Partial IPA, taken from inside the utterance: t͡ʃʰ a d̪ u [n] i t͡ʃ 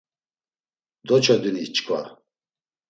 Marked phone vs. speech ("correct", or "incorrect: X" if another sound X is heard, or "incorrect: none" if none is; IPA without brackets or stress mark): correct